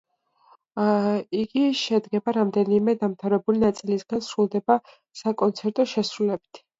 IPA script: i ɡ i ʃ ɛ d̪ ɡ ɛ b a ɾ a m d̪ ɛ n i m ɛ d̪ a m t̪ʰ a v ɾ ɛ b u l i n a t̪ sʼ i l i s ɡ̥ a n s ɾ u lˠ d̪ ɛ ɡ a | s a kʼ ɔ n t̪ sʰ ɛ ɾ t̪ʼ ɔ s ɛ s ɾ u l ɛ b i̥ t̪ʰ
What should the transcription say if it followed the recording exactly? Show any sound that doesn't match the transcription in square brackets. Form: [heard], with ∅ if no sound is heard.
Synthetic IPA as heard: i ɡ i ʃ ɛ d̪ ɡ ɛ b a ɾ a m d̪ ɛ n i m ɛ d̪ a m t̪ʰ a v ɾ ɛ b u l i n a t̪ sʼ i l i s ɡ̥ a n s ɾ u lˠ d̪ ɛ [b] a | s a kʼ ɔ n t̪ sʰ ɛ ɾ t̪ʼ ɔ [ʃ] ɛ s ɾ u l ɛ b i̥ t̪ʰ